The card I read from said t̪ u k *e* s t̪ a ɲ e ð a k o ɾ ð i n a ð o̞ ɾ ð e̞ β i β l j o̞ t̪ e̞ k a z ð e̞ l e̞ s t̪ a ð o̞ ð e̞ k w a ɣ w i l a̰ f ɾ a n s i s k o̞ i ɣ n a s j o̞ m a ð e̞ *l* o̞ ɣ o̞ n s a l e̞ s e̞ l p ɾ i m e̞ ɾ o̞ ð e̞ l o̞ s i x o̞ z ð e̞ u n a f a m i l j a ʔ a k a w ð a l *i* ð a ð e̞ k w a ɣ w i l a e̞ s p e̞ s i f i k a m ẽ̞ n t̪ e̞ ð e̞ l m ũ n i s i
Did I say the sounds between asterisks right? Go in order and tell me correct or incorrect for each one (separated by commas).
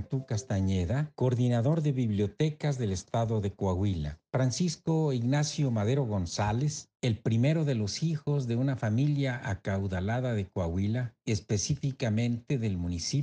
incorrect, incorrect, incorrect